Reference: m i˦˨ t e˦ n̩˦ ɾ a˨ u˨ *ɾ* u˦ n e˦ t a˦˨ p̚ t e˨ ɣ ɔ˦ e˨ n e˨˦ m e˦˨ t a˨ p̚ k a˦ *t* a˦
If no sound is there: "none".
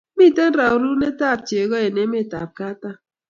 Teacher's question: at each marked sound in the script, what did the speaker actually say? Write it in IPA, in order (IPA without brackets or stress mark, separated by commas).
ɾ, t